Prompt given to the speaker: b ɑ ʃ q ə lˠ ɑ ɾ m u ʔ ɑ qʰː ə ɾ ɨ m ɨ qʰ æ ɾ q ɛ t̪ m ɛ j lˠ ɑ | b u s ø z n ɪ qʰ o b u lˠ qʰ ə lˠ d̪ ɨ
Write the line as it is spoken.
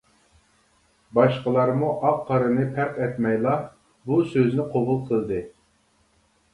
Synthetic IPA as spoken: b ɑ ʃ q ə lˠ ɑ ɾ m u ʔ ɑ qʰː ɑ ɾ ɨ n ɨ pʰ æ ɾ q ɛ t̪ m ɛ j lˠ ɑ | b u s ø z n ɪ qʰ o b u lˠ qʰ ə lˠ d̪ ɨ

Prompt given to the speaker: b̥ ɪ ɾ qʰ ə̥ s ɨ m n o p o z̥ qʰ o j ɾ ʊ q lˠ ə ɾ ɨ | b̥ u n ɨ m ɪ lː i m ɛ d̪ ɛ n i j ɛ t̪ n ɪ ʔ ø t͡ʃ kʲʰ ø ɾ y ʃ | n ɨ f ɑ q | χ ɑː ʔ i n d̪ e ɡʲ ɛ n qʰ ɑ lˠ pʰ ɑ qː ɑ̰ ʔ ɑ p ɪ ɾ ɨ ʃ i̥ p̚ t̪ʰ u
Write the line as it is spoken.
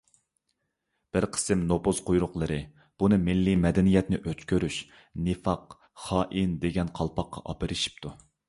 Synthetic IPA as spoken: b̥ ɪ ɾ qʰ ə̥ s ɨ m n o p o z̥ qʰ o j ɾ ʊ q lˠ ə ɾ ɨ | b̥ u n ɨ m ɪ lː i m ɛ d̪ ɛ n i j ɛ t̪ n ɪ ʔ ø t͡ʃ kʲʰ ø ɾ y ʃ | n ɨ f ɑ q | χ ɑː ʔ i n d̪ e ɡʲ ɛ n qʰ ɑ lˠ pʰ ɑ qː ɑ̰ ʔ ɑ p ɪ ɾ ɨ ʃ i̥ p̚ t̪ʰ u

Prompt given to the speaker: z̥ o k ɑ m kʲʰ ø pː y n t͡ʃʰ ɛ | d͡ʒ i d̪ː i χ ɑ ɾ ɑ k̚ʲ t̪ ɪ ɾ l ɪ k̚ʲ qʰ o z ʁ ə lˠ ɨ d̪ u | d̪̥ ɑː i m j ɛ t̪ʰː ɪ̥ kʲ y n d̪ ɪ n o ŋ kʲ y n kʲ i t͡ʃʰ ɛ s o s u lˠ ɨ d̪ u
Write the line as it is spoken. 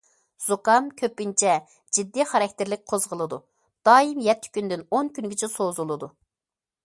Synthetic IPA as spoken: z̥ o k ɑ m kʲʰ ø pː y n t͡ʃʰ ɛ | d͡ʒ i d̪ː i χ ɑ ɾ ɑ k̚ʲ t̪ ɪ ɾ l ɪ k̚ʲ qʰ o z ʁ ə lˠ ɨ d̪ u | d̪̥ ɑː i m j ɛ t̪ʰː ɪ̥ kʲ y n d̪ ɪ n o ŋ kʲ y n ɡʲ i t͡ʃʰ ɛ s o z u lˠ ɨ d̪ u

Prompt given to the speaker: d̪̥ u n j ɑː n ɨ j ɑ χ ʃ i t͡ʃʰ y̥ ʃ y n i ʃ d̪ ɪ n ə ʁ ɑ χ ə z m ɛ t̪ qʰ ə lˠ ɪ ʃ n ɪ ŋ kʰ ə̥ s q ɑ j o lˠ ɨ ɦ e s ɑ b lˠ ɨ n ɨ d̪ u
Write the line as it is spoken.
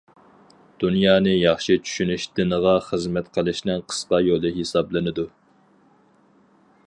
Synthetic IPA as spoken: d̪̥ u n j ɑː n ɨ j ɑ χ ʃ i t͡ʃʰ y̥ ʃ y n y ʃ d̪ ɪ n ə ʁ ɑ χ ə z m ɛ t̪ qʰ ə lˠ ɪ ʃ n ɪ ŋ qʰ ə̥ s q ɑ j o lˠ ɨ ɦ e s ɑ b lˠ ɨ n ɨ d̪ u

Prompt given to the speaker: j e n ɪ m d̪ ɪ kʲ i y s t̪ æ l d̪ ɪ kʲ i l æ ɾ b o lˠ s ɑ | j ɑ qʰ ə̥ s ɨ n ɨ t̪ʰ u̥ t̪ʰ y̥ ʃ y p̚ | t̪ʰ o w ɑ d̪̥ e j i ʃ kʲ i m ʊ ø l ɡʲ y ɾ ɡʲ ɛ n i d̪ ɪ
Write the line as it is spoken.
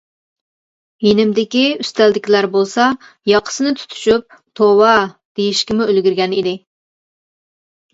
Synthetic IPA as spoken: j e n ɪ m d̪ ɪ kʲ i y s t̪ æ l d̪ ɪ kʲ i l æ ɾ b o lˠ s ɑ | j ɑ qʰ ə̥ s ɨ n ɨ t̪ʰ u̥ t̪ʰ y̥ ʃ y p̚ | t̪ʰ o w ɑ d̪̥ e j i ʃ kʲ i m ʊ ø l ɡʲ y ɾ ɡʲ ɛ n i d̪ ɪ

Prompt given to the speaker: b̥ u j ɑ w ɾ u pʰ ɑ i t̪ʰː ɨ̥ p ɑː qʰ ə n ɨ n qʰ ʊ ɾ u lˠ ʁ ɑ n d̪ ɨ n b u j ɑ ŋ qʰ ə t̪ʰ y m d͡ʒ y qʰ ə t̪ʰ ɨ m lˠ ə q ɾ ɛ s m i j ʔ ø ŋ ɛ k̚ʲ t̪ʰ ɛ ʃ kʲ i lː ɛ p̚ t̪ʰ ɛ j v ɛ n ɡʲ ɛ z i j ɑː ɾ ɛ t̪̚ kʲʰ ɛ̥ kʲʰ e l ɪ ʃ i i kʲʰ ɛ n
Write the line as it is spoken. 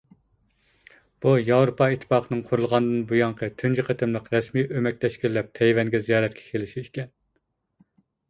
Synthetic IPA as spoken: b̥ u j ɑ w ɾ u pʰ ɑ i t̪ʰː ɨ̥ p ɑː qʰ ə n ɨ ŋ qʰ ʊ ɾ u lˠ ʁ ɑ n d̪ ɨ n b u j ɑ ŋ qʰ ə t̪ʰ y n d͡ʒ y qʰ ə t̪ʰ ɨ m lˠ ə q ɾ ɛ s m i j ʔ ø m ɛ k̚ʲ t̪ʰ ɛ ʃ kʲ i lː ɛ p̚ t̪ʰ ɛ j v ɛ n ɡʲ ɛ z i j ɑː ɾ ɛ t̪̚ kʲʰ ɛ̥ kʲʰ e l ɪ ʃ i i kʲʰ ɛ n

